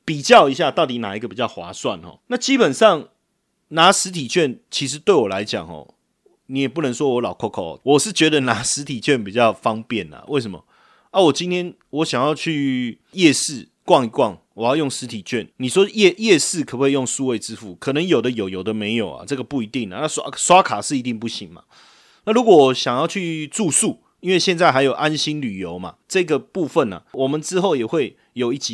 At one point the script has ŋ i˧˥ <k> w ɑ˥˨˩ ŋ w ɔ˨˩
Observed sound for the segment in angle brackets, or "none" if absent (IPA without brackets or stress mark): k